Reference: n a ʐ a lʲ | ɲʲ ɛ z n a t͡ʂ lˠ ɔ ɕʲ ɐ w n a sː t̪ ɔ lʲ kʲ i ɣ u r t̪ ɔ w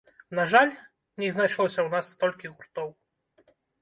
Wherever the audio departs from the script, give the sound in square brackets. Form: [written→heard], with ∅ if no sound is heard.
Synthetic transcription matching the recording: n a ʐ a lʲ | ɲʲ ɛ z n a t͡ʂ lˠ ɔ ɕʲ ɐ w n a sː t̪ ɔ lʲ kʲ i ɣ u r t̪ ɔ w